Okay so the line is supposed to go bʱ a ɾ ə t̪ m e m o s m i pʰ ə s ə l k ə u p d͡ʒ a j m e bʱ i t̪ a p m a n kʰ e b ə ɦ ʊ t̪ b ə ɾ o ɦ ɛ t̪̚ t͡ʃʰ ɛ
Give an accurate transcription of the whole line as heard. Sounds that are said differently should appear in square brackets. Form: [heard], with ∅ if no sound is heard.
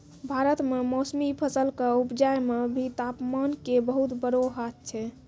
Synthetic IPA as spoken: bʱ a ɾ ə t̪ m e m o s m i pʰ ə s ə l k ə u p d͡ʒ a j m e bʱ i t̪ a p m a n [k] e b ə ɦ [u] t̪ b ə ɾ o ɦ [a] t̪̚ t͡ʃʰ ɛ